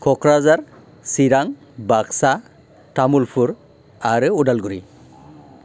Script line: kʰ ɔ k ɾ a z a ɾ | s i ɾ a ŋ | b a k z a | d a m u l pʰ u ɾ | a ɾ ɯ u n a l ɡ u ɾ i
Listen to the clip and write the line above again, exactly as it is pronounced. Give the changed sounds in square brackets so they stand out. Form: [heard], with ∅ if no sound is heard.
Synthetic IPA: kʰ ɔ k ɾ a z a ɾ | s i ɾ a ŋ | b a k [s] a | [t] a m u l pʰ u ɾ | a ɾ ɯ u [d] a l ɡ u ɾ i